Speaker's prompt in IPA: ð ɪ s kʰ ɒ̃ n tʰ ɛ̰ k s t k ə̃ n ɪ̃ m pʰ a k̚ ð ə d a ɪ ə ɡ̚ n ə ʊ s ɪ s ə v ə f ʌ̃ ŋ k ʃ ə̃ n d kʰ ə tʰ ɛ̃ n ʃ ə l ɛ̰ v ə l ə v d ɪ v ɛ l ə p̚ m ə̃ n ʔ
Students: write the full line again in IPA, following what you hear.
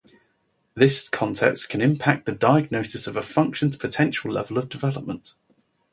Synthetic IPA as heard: ð ɪ s kʰ ɒ̃ n tʰ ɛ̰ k s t kʰ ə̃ n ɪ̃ m pʰ a k̚ ð ə d a ɪ ə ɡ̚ n ə ʊ s ɪ s ə v ə f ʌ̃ ŋ k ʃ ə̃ n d pʰ ə tʰ ɛ̃ n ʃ ə l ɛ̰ v ə l ə v d ɪ v ɛ l ə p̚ m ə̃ n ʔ